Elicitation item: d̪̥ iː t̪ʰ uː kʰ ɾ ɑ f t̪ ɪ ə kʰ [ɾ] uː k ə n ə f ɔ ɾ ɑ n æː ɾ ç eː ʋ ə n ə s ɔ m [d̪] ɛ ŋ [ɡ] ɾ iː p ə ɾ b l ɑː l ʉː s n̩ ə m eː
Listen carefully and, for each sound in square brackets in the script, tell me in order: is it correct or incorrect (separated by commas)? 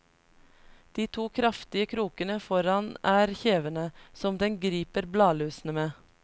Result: correct, correct, correct